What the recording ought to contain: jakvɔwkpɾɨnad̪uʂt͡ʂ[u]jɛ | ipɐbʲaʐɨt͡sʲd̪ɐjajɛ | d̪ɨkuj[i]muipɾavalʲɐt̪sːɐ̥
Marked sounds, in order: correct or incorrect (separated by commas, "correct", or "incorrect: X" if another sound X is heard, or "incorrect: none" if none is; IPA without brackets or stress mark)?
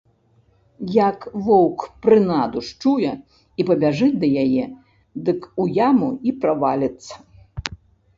correct, incorrect: a